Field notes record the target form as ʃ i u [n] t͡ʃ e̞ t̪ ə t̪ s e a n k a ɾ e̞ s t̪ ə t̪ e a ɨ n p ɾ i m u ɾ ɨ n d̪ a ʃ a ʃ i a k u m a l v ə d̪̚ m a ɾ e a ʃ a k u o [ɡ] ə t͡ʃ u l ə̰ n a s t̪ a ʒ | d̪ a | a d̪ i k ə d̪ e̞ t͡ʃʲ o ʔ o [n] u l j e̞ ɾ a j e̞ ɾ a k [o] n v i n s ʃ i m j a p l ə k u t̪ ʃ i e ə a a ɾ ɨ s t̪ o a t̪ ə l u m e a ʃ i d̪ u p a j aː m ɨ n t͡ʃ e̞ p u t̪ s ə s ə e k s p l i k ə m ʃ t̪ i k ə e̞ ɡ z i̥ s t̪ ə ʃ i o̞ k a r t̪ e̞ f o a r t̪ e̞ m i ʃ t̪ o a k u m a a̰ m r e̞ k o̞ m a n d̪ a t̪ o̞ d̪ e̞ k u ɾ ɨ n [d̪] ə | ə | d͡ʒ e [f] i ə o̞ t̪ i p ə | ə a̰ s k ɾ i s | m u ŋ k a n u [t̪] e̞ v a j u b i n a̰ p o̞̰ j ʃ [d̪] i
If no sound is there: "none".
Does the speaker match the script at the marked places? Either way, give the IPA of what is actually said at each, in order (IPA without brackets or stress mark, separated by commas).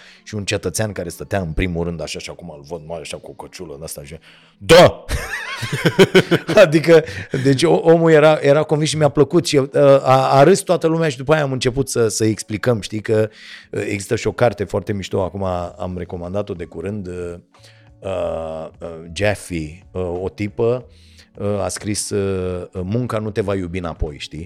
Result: n, k, m, o, d̪, f, t̪, t̪